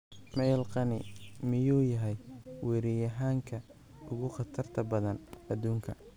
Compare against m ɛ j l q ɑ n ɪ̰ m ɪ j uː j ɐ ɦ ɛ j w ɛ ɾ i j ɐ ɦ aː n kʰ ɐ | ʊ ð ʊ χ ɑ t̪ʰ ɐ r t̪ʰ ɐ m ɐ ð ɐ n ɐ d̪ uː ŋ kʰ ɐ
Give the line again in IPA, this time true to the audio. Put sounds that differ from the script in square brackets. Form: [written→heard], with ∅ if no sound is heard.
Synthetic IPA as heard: m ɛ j l q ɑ n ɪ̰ m ɪ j uː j ɐ ɦ ɛ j w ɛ ɾ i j ɐ ɦ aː [n→ŋ] kʰ ɐ | ʊ [ð→ɣ] ʊ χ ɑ t̪ʰ ɐ r t̪ʰ ɐ [m→b] ɐ ð ɐ n ɐ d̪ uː ŋ kʰ ɐ